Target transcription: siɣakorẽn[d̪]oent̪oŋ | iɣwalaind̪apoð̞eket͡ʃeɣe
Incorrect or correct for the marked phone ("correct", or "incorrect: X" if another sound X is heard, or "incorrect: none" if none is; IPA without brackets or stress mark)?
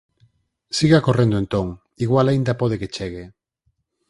correct